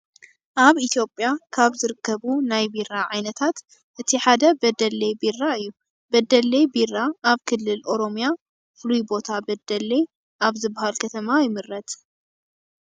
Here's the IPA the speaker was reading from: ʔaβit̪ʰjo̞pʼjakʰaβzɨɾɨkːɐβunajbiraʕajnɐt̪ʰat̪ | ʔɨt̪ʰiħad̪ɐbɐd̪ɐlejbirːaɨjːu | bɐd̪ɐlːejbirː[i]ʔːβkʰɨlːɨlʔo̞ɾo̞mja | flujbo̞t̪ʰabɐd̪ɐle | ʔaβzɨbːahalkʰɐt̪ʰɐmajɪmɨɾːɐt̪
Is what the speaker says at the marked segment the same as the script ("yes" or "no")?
no